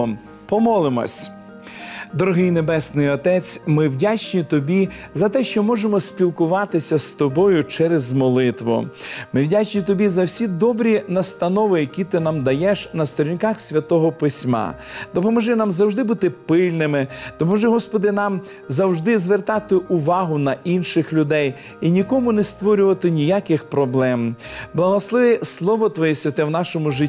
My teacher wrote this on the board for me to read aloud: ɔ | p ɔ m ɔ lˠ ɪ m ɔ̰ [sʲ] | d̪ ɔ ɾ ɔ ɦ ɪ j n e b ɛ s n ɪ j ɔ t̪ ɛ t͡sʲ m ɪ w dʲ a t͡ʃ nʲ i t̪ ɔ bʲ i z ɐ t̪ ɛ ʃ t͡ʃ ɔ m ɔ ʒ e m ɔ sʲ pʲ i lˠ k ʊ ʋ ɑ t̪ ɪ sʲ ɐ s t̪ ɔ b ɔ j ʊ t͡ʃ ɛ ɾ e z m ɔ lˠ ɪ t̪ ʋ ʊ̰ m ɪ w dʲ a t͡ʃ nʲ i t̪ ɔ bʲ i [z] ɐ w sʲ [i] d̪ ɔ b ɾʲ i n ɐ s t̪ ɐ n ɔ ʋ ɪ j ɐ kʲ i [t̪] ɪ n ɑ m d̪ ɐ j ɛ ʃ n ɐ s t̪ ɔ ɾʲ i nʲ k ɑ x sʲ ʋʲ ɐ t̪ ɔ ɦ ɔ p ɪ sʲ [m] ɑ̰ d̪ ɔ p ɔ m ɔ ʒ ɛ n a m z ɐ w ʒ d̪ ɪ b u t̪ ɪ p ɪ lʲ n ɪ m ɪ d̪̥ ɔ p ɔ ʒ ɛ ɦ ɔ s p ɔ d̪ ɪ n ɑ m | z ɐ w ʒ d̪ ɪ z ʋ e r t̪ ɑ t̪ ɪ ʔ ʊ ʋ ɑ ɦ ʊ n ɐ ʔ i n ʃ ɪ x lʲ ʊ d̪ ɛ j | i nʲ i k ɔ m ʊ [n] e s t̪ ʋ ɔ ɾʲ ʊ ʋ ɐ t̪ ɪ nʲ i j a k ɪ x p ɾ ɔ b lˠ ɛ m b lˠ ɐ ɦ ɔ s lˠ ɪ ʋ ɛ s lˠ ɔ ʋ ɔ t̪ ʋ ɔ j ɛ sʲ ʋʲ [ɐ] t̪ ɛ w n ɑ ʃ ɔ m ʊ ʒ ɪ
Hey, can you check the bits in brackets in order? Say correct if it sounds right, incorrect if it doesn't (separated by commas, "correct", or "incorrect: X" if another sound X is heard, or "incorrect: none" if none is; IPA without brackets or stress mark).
correct, correct, correct, correct, correct, correct, correct